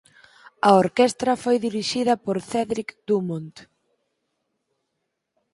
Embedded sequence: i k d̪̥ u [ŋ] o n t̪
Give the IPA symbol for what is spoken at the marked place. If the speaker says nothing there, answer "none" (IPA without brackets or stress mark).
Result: m